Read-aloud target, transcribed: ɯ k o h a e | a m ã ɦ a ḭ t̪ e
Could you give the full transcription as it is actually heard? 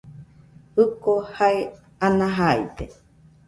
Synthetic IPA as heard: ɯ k o h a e | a n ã ɦ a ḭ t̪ e